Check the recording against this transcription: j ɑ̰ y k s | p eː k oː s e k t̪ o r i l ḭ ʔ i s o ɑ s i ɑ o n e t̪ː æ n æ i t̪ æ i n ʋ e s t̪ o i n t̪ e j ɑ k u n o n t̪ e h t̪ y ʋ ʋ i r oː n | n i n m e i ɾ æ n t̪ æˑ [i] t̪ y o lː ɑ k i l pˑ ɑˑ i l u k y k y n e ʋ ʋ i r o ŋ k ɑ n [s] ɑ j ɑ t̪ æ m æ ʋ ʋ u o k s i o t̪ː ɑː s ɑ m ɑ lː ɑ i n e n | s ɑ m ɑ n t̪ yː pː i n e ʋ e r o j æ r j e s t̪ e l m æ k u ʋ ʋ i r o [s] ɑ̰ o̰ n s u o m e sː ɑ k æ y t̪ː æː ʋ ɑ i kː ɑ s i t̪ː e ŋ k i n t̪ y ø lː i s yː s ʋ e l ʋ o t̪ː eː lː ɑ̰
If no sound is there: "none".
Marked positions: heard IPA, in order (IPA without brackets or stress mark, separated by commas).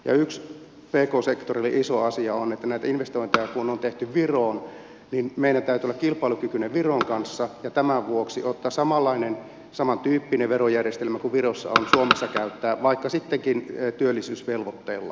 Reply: y, sː, sː